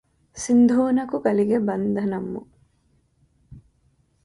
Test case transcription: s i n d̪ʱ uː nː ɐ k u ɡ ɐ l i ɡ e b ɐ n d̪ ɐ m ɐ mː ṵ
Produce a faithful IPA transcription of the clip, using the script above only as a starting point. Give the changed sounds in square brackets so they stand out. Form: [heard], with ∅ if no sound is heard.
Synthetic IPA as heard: s i n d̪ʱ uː [n] ɐ k u ɡ ɐ l i ɡ e b ɐ n d̪ ɐ [n] ɐ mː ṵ